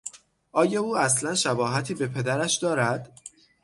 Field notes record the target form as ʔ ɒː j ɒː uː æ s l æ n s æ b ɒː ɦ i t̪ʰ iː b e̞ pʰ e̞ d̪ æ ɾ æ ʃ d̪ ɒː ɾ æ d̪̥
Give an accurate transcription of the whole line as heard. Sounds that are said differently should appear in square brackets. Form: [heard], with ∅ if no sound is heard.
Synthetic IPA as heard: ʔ ɒː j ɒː uː æ s l æ n [ʃ] æ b ɒː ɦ [æ] t̪ʰ iː b e̞ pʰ e̞ d̪ æ ɾ æ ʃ d̪ ɒː ɾ æ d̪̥